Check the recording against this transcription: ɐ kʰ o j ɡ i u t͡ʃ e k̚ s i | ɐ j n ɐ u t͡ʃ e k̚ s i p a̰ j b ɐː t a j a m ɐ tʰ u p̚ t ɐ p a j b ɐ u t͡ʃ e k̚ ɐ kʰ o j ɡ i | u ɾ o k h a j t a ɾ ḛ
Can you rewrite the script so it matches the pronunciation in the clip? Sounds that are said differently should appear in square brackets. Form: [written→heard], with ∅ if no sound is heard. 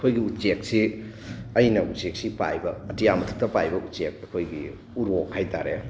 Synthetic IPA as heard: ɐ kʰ o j ɡ i u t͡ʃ e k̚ s i | ɐ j n ɐ u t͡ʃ e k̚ s i p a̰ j b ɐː t [a→i] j a m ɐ tʰ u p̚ t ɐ p a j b ɐ u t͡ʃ e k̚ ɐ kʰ o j ɡ i | u ɾ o k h a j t a ɾ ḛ